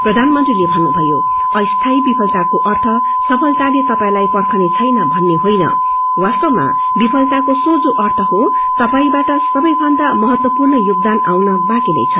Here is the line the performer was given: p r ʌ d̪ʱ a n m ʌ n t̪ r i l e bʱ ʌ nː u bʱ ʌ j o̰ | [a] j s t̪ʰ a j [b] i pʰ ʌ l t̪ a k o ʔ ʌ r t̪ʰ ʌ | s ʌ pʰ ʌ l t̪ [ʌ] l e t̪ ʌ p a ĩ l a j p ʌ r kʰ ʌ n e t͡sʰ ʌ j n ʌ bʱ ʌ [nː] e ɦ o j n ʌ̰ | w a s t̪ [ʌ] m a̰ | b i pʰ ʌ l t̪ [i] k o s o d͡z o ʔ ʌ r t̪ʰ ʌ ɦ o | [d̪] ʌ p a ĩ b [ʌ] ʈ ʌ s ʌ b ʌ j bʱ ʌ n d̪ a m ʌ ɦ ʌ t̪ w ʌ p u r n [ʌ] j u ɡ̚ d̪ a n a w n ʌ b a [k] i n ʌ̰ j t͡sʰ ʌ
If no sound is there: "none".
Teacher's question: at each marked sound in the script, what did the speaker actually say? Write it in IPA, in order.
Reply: ʌ, b, a, nː, ʌ, a, t̪, a, ʌ, k

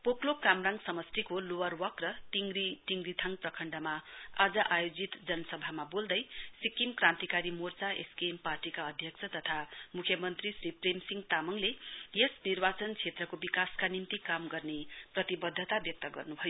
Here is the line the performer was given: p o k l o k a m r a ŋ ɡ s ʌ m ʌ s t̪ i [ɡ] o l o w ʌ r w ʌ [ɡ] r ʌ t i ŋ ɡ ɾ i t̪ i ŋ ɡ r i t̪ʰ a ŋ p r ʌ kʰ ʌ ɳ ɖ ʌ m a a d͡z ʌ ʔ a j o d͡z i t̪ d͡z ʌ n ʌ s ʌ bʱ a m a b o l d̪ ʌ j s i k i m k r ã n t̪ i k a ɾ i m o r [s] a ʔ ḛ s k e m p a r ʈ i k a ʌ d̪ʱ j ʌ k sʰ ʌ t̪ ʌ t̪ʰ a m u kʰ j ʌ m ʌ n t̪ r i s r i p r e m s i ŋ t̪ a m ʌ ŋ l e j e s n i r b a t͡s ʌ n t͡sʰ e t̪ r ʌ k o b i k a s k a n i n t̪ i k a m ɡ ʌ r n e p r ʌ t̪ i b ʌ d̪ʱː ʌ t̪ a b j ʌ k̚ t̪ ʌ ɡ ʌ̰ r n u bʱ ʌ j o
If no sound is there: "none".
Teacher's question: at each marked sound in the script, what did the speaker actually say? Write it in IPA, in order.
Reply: k, k, t͡s

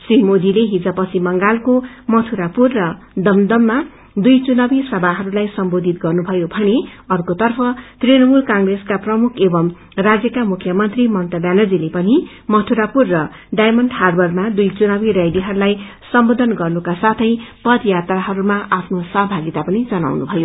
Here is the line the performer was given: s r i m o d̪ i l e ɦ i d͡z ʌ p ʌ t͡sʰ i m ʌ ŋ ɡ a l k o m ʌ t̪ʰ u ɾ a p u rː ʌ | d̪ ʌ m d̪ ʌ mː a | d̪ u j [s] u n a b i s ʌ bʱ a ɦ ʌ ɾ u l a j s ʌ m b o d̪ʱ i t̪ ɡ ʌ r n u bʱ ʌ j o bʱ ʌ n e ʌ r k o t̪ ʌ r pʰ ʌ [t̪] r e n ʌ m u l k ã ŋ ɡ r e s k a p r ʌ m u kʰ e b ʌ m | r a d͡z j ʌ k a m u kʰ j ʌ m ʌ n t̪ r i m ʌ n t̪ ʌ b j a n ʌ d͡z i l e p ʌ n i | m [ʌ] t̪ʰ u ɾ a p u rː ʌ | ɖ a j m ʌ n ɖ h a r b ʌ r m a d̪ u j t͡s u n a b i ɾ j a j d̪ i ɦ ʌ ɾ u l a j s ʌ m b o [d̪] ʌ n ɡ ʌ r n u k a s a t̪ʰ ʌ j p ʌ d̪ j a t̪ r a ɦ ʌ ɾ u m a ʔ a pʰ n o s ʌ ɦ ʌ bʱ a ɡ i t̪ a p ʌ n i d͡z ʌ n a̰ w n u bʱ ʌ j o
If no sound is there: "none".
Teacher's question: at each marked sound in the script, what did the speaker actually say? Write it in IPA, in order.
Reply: t͡s, t̪, ʌ, d̪

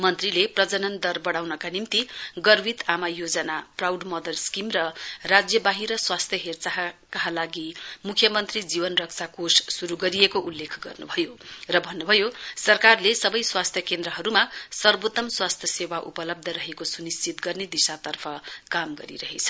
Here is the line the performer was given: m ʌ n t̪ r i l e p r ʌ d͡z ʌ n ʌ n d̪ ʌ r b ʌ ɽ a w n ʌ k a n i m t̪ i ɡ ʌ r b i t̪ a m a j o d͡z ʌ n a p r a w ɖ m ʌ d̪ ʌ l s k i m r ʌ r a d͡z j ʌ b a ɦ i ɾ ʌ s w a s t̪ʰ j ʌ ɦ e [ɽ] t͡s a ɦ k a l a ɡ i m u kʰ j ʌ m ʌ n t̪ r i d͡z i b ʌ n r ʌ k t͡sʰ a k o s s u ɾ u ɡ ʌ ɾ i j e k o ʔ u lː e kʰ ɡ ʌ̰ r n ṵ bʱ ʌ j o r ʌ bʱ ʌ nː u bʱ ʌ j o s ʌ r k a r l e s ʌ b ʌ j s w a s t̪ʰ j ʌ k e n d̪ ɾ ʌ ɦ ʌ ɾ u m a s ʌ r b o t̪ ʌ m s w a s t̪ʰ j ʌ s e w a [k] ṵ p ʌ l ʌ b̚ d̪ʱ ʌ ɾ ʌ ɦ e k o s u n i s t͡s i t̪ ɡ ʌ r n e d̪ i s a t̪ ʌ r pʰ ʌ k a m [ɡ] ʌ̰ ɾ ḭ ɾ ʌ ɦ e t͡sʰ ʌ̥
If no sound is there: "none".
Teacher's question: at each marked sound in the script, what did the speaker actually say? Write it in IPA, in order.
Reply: r, ʔ, ɡ

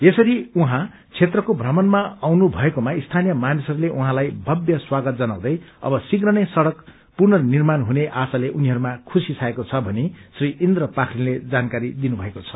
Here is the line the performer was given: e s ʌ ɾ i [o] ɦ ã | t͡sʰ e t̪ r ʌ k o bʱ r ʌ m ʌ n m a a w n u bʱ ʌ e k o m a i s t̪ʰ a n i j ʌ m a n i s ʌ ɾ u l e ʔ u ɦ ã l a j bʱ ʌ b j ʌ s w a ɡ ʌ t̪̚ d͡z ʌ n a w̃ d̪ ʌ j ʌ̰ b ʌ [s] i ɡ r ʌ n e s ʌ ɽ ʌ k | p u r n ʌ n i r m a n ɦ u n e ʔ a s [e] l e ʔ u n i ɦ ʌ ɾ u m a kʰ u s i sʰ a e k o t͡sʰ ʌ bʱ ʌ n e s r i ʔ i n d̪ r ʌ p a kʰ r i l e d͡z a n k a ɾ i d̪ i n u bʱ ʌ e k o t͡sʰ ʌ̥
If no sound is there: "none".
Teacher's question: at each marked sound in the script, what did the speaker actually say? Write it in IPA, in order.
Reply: u, s, a

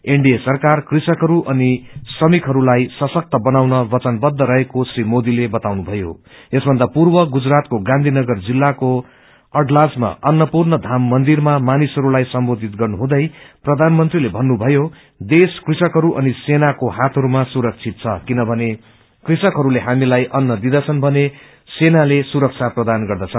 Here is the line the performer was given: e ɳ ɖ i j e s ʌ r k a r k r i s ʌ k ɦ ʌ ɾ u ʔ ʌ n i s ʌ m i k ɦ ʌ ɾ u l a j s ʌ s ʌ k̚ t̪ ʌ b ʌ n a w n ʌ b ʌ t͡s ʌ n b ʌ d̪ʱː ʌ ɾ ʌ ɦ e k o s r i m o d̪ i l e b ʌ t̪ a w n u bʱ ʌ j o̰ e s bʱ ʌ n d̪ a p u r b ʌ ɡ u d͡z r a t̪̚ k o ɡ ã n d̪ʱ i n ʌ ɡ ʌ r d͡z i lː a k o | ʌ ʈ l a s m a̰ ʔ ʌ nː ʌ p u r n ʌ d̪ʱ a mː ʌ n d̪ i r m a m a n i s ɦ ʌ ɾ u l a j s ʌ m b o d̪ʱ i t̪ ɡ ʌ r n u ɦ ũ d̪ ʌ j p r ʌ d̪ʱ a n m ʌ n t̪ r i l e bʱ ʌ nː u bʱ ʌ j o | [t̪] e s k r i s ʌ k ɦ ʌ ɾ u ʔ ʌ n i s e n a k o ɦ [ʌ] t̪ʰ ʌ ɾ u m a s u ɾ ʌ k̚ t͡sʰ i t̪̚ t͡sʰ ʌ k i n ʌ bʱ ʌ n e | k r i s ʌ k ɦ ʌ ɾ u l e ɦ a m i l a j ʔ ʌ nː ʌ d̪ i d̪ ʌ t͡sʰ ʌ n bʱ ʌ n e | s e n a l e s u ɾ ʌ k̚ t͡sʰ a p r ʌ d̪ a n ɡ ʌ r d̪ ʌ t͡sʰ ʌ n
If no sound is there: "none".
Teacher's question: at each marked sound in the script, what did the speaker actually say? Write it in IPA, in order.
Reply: d̪, a

